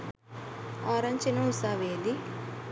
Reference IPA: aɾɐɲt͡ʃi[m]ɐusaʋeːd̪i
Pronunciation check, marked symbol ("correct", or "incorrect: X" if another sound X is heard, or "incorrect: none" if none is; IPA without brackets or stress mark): incorrect: n